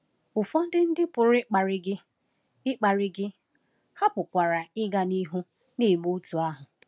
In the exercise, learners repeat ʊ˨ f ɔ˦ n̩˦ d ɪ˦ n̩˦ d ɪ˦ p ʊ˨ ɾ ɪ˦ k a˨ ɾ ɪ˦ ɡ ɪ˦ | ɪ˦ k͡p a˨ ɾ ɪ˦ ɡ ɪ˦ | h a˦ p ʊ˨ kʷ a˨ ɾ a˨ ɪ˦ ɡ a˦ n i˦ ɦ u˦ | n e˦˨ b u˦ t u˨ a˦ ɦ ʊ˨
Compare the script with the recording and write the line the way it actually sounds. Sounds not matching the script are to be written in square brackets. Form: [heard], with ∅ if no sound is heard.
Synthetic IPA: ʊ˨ f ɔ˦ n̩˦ d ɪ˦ n̩˦ d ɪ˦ p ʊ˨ ɾ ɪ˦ [k͡p] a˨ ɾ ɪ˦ ɡ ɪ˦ | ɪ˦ k͡p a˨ ɾ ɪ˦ ɡ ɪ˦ | h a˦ p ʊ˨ kʷ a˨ ɾ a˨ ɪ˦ ɡ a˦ n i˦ ɦ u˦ | n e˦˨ [m] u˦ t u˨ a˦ ɦ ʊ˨